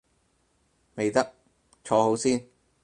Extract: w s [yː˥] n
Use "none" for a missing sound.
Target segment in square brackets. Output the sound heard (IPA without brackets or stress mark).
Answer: iː˥